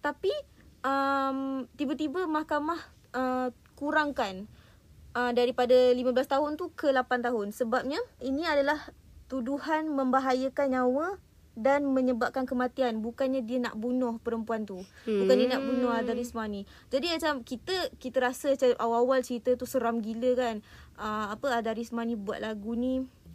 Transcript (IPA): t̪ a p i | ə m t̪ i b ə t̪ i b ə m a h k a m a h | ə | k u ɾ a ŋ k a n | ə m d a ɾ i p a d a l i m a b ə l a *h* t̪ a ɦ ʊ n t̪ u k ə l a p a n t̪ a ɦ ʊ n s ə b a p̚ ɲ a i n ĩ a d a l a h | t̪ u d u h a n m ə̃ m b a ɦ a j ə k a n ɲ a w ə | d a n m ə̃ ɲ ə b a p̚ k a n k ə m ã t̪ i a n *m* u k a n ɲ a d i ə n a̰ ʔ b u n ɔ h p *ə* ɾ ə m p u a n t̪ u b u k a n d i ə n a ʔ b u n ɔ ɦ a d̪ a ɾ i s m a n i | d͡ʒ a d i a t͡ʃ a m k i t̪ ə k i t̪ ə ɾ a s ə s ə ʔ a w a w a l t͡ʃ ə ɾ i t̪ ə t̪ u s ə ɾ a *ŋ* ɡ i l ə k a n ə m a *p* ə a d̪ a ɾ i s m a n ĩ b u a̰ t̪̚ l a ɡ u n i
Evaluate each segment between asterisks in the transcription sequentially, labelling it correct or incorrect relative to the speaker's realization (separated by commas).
incorrect, incorrect, correct, incorrect, correct